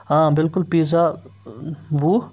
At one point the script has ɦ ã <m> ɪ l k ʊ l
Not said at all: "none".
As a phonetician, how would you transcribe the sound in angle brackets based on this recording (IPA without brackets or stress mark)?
b